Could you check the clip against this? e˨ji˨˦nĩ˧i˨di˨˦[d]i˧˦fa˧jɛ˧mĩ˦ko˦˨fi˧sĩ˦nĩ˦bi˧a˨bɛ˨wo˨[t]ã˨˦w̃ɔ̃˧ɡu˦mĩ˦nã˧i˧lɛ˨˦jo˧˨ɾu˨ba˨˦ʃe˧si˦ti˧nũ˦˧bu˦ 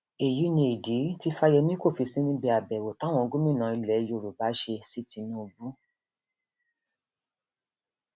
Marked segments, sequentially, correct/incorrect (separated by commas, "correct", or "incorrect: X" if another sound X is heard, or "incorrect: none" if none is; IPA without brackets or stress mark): incorrect: t, correct